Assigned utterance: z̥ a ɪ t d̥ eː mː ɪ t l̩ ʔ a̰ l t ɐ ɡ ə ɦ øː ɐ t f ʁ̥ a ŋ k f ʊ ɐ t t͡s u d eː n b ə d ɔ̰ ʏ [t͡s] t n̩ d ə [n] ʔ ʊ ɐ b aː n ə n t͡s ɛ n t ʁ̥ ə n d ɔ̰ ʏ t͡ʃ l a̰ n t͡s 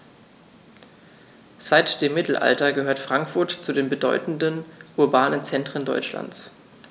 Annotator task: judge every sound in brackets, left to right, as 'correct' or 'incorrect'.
incorrect: none, correct

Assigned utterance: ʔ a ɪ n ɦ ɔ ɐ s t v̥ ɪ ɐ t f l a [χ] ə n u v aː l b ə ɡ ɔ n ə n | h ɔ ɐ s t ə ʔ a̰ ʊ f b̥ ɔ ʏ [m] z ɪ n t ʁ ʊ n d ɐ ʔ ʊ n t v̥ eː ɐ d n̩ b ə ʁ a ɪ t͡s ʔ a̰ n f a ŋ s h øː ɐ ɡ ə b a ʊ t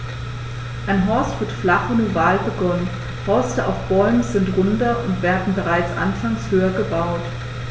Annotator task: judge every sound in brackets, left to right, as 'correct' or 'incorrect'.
correct, correct

